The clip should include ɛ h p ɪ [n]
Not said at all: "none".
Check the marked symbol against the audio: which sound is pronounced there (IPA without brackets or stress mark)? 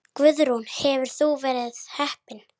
n